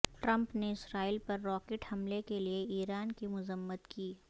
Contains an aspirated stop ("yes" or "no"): no